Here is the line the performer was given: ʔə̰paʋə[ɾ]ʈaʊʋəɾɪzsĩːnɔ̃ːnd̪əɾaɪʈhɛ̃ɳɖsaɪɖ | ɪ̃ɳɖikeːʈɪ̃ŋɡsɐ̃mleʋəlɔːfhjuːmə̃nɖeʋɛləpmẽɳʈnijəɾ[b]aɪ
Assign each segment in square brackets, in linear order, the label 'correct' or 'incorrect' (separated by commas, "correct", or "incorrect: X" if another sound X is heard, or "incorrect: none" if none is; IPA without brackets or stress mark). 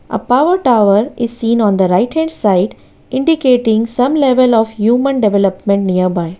correct, correct